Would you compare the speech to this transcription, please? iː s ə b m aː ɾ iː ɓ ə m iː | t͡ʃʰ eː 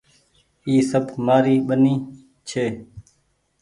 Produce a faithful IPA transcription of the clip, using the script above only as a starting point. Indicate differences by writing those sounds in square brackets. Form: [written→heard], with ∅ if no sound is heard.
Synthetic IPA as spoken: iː s ə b m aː ɾ iː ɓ ə [m→n] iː | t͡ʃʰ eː